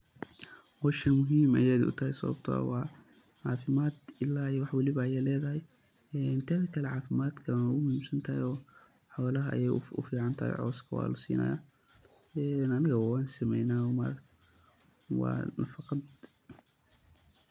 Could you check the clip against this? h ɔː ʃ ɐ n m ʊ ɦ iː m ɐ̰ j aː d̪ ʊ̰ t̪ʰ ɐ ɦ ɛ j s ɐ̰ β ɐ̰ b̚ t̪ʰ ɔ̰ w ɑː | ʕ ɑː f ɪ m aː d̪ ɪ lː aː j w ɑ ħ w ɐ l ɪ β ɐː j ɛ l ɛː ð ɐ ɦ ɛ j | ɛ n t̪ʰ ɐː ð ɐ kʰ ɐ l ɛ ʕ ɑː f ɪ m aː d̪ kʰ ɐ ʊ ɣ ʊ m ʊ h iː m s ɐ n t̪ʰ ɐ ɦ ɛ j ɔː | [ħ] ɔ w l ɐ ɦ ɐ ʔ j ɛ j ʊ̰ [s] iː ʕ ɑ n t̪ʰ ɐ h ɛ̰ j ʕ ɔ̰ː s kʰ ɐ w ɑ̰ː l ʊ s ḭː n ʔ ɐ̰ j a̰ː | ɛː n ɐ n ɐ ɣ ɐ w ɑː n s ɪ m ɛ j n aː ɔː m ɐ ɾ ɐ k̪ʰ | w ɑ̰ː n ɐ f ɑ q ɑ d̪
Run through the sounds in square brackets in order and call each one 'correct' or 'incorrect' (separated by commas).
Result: correct, incorrect